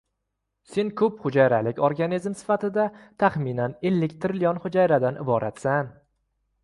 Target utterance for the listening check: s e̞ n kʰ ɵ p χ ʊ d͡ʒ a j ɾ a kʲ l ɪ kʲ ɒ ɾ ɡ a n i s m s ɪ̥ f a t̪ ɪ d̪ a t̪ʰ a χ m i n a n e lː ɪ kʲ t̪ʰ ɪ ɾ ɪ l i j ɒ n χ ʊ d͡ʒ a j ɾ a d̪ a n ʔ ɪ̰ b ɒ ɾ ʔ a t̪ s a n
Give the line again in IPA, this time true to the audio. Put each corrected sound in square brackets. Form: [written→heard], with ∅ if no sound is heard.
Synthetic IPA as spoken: s e̞ n kʰ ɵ p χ ʊ d͡ʒ a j ɾ a [kʲ→∅] l ɪ kʲ ɒ ɾ ɡ a n i [s→z] m s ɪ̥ f a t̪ ɪ d̪ a t̪ʰ a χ m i n a n e lː ɪ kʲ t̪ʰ ɪ ɾ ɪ l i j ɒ n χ ʊ d͡ʒ a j ɾ a d̪ a n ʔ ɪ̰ b ɒ ɾ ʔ a t̪ s a n

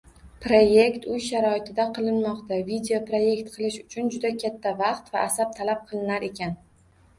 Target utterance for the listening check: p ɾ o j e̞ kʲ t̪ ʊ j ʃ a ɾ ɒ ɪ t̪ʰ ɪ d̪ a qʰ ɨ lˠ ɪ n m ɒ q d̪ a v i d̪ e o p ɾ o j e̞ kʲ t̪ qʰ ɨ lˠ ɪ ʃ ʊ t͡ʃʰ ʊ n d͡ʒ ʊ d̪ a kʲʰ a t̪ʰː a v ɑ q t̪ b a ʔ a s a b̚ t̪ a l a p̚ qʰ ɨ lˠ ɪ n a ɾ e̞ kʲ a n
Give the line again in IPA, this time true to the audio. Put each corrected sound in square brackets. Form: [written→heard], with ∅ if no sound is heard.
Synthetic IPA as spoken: p ɾ o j e̞ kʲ t̪ ʊ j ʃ a ɾ ɒ ɪ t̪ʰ ɪ d̪ a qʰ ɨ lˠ ɪ n m ɒ q [d̪→t̪] a v i d̪ e o p ɾ o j e̞ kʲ t̪ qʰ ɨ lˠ ɪ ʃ ʊ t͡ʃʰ ʊ n d͡ʒ ʊ d̪ a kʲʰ a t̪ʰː a v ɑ q t̪ [b→v] a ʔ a s a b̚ [t̪→t̪ʰ] a l a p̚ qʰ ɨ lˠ ɪ n a ɾ e̞ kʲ a n

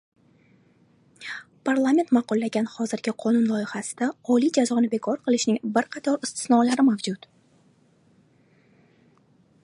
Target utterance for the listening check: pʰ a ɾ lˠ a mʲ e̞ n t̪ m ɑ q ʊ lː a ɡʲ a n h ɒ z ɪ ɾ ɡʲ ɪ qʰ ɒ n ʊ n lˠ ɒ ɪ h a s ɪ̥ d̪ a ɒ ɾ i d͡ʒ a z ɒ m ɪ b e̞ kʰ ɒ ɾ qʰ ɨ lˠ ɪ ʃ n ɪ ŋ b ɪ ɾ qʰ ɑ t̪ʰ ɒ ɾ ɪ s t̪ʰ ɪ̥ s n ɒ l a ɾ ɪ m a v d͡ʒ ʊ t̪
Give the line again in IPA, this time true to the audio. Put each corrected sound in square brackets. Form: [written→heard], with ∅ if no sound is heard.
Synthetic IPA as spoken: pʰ a ɾ lˠ a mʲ e̞ n t̪ m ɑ q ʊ lː a ɡʲ a n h ɒ z ɪ ɾ ɡʲ ɪ qʰ ɒ n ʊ n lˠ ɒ ɪ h a s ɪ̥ d̪ a ɒ [ɾ→l] i d͡ʒ a z ɒ [m→n] ɪ b e̞ kʰ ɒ ɾ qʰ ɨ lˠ ɪ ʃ n ɪ ŋ b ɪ ɾ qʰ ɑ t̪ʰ ɒ ɾ ɪ s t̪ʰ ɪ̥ s n ɒ l a ɾ ɪ m a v d͡ʒ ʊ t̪

